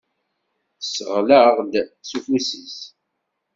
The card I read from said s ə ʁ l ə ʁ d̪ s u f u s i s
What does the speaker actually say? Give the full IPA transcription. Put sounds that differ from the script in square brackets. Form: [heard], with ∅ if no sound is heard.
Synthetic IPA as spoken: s ə ʁ l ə ʁ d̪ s u f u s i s